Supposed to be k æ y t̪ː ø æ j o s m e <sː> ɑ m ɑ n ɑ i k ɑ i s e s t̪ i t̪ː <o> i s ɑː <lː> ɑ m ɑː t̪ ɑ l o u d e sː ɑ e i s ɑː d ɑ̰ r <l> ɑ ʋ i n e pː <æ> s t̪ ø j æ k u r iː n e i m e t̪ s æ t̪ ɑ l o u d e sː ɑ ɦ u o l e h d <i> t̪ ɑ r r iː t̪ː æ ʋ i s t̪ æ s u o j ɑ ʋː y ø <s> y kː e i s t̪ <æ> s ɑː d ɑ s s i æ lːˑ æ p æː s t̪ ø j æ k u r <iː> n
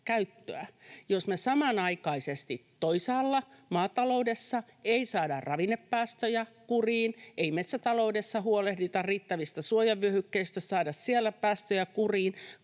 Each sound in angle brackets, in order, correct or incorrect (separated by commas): incorrect, correct, correct, incorrect, incorrect, correct, incorrect, correct, correct